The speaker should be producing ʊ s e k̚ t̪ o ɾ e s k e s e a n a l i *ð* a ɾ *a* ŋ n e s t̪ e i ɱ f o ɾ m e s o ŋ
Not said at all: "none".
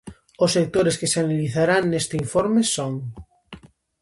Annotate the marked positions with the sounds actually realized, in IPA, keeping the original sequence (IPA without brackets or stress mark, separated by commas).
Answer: θ, a